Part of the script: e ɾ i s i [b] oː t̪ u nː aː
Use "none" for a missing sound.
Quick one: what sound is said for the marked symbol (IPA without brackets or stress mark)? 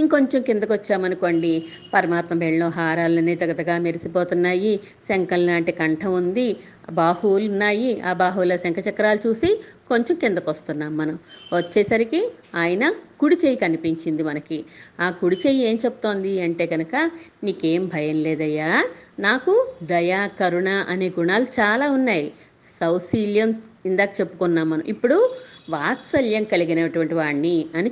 p